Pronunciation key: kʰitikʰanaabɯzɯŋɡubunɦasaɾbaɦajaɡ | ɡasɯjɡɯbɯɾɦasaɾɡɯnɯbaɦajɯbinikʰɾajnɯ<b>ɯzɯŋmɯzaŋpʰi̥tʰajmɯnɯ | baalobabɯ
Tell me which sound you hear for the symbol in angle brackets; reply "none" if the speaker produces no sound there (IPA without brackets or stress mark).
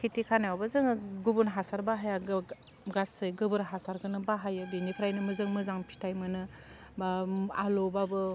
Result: m